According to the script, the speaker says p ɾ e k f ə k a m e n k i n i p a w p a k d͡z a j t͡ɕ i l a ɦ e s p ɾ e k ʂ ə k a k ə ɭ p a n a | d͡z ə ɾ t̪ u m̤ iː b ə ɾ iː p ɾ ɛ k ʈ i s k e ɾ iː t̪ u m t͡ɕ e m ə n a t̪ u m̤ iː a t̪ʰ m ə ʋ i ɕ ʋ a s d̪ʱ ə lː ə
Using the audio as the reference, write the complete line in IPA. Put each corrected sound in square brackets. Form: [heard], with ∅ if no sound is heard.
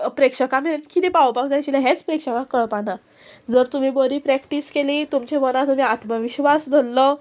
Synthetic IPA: p ɾ e k [ʂ] ə k a m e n k i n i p a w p a k d͡z a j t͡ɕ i l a ɦ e [t͡s] p ɾ e k ʂ ə k a k ə ɭ p a n a | d͡z ə ɾ t̪ u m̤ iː b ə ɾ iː p ɾ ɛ k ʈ i s k e [l] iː t̪ u m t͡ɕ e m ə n a t̪ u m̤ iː a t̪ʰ m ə ʋ i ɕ ʋ a s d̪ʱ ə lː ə